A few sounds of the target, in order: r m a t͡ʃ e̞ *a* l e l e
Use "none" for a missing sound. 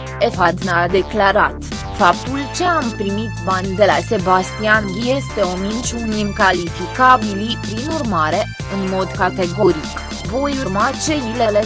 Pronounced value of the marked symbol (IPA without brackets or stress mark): i